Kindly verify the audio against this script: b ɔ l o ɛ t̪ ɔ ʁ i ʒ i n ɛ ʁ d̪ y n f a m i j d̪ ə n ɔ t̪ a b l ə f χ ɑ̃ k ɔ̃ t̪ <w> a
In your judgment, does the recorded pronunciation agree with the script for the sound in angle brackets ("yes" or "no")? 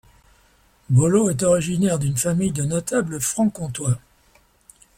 yes